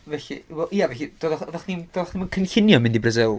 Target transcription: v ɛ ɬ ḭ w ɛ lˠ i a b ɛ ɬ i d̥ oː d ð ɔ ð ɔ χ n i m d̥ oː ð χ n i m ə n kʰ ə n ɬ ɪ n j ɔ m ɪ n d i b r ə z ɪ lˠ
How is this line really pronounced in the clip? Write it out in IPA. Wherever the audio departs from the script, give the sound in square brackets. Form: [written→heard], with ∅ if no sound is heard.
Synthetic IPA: v ɛ ɬ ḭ w ɛ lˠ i a [b→v] ɛ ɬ i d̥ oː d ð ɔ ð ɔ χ n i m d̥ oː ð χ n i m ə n kʰ ə n ɬ ɪ n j ɔ m ɪ n d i b r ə z ɪ lˠ